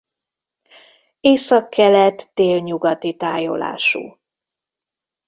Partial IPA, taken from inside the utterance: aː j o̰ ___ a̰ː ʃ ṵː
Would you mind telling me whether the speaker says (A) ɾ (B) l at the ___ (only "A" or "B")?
B